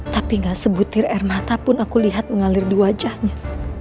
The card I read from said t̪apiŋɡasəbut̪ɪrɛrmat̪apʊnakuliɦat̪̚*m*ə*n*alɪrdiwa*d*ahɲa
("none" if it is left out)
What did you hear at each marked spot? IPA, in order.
m, ŋ, d͡ʒ

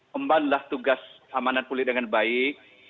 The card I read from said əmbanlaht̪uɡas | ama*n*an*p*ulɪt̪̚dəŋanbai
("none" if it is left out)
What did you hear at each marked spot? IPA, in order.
n, p

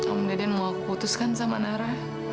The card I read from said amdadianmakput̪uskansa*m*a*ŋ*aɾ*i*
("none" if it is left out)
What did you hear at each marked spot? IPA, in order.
m, n, a

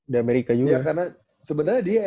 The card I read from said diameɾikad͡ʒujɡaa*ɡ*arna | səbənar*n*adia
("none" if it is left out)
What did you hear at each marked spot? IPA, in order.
k, ɲ

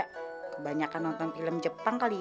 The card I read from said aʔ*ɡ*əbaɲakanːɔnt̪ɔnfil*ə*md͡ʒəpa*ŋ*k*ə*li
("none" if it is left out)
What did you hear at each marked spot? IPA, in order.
k, ə, ŋ, a

